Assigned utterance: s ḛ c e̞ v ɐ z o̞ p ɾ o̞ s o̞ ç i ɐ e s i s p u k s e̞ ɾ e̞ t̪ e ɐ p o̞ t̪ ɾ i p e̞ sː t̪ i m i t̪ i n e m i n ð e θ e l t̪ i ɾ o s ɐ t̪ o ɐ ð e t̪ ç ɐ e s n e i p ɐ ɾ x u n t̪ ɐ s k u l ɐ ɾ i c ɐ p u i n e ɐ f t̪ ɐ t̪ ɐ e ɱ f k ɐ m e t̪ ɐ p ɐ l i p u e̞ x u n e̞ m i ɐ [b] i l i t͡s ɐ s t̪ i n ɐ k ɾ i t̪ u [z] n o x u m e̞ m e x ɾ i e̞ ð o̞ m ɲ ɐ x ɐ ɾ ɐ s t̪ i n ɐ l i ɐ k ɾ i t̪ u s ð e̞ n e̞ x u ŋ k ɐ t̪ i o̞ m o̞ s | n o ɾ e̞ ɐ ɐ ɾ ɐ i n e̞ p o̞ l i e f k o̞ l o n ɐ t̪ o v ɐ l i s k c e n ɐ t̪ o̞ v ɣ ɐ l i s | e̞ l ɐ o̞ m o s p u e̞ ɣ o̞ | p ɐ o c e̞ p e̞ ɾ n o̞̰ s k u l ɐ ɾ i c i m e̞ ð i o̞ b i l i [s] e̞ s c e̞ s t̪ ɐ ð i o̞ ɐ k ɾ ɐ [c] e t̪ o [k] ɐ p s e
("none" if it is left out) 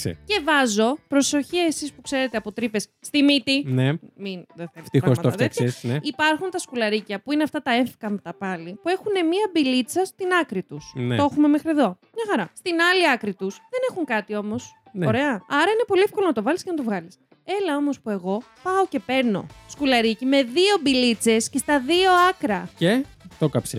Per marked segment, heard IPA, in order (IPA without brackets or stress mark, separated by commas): b, s, t͡s, c, k